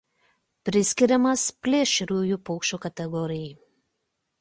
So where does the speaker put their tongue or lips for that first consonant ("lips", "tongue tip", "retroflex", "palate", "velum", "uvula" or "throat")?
lips